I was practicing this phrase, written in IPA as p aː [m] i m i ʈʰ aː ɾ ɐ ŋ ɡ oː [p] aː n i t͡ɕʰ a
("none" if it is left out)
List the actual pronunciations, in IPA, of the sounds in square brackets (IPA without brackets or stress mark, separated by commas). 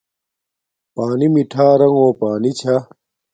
n, p